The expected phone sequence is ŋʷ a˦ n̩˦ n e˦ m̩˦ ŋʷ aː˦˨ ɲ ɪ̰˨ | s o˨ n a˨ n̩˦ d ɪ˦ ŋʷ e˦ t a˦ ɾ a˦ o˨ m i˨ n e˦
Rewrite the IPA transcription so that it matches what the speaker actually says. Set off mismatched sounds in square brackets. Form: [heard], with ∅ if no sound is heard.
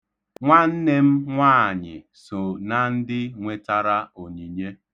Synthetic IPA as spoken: ŋʷ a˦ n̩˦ n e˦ m̩˦ ŋʷ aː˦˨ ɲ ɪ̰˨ | s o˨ n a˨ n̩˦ d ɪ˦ ŋʷ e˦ t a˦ ɾ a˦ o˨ [ɲ] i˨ [ɲ] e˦